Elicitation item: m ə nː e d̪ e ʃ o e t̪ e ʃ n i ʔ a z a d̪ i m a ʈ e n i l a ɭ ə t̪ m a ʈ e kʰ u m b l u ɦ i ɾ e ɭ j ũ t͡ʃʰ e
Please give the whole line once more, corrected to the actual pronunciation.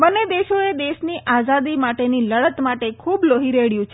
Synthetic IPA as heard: b ə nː e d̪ e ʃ o e d̪ e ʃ n i ʔ a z a d̪ i m a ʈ e n i l ə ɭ ə t̪ m a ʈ e kʰ u b l o ɦ i ɾ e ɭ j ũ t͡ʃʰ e